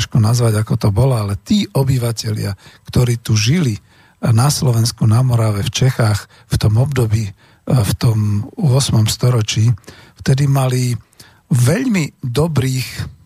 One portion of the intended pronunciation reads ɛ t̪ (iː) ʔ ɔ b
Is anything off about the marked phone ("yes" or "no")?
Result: no